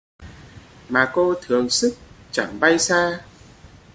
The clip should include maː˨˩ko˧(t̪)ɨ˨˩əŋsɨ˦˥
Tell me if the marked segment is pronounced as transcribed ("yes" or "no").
no